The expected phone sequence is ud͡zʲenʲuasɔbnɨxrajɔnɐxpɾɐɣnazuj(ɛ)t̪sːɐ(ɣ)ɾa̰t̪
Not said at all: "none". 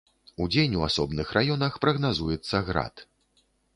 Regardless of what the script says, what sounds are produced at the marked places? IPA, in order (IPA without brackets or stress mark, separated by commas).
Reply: ɛ, ɣ